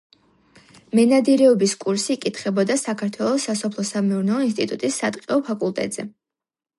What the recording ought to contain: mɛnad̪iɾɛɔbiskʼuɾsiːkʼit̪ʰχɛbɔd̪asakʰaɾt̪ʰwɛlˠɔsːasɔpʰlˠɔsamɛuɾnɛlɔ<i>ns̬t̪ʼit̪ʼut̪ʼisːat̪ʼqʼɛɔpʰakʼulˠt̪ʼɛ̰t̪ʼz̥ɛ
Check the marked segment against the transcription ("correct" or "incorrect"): correct